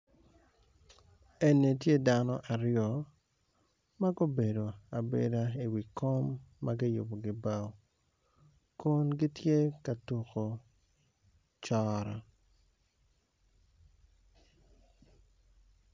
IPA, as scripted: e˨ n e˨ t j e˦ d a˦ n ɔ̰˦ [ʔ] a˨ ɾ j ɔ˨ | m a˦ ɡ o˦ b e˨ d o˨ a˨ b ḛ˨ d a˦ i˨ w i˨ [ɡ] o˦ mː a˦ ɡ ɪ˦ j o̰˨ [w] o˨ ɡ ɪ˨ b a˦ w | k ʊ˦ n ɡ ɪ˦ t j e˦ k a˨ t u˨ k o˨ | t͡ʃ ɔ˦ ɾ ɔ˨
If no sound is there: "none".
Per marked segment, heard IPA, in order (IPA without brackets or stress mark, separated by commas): ʔ, k, b